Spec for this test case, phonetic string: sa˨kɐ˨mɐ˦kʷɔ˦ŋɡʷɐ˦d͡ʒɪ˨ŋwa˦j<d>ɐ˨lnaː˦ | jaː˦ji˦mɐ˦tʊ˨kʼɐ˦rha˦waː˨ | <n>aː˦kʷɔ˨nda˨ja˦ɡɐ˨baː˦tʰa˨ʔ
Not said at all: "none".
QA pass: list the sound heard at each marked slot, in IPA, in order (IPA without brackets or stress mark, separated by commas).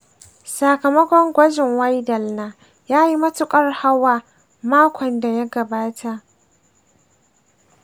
d, m